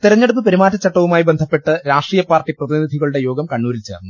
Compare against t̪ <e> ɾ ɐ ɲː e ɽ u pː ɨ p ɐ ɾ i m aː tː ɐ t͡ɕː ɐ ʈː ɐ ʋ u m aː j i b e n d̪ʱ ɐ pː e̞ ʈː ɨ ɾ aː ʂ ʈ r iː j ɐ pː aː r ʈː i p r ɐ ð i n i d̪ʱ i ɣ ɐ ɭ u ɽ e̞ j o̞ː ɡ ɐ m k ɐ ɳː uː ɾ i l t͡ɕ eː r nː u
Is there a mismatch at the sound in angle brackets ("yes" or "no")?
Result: yes